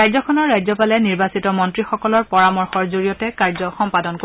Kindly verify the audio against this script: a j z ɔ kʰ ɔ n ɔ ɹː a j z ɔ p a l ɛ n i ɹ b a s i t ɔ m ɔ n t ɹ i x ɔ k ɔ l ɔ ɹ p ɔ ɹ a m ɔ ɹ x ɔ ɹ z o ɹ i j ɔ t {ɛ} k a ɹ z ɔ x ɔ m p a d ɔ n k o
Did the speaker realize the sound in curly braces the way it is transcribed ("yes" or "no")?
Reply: yes